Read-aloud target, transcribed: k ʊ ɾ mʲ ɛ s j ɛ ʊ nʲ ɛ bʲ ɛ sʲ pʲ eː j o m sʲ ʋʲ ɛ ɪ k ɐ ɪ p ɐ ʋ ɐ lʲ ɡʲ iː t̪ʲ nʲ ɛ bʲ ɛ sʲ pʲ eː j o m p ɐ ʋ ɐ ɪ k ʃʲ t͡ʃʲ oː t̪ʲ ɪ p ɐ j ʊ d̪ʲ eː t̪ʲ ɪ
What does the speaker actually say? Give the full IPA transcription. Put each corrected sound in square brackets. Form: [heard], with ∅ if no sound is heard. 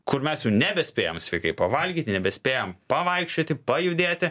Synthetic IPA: k ʊ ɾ mʲ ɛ s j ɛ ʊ nʲ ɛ bʲ ɛ sʲ pʲ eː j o m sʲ ʋʲ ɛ ɪ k ɐ ɪ p ɐ ʋ ɐ lʲ ɡʲ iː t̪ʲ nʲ ɛ bʲ ɛ sʲ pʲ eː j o m p ɐ ʋ ɐ ɪ k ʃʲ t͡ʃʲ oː t̪ʲ ɪ p ɐ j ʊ d̪ʲ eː t̪ʲ ɪ